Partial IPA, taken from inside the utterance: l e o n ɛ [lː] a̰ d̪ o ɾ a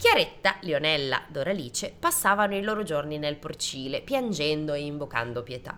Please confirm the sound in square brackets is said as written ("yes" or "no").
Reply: yes